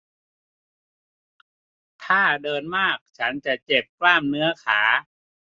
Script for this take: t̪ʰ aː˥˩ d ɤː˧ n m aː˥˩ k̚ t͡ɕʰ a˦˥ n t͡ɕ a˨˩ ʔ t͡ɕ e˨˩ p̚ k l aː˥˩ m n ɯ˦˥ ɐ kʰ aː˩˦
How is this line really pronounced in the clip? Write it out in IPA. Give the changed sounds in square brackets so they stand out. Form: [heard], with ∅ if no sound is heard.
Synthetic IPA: t̪ʰ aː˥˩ d ɤː˧ n m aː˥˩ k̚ t͡ɕʰ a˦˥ n t͡ɕ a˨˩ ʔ t͡ɕ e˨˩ p̚ k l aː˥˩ m n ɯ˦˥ ɐ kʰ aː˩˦